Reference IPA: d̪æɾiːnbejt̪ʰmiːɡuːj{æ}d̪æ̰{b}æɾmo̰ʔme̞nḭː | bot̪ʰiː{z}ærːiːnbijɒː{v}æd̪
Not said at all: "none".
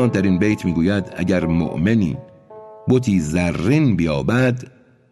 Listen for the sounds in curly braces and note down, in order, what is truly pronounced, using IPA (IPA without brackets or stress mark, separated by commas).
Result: æ, ɟ, z, b